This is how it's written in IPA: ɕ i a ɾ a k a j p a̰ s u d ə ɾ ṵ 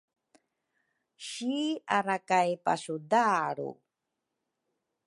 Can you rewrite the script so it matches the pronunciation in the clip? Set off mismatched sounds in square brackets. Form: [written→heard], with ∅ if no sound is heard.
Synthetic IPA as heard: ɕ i a ɾ a k a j p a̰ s u d [ə→a] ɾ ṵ